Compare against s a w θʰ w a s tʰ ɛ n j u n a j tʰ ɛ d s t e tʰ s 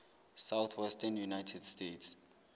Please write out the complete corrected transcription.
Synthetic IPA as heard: s a w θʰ w ɛ s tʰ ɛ n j u n a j tʰ ɛ d s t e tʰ s